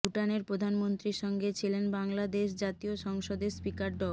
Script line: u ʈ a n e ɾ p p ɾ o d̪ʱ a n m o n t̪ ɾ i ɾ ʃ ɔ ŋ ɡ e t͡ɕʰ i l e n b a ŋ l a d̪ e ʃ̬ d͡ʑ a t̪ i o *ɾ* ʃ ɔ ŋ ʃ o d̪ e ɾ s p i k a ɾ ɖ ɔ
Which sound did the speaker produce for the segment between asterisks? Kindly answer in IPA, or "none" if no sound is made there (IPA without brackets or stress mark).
none